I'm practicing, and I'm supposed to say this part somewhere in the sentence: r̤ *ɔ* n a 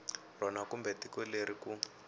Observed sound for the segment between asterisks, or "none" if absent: ɔ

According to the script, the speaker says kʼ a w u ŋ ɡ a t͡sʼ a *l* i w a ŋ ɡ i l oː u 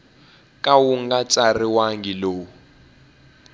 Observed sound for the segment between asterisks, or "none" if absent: r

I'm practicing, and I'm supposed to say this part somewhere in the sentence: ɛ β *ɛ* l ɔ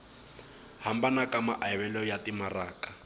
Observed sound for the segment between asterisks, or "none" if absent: ɛ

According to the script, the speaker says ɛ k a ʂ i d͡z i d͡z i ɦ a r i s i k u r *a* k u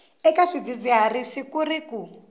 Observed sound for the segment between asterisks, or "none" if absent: i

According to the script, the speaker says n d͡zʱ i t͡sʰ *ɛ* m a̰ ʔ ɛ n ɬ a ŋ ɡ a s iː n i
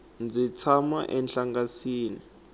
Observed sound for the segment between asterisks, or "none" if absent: a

